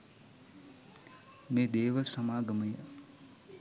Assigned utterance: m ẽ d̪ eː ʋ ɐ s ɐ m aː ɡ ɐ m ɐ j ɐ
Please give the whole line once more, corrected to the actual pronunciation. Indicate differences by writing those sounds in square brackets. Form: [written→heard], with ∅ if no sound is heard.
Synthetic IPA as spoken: m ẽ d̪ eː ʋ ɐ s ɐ m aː ɡ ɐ m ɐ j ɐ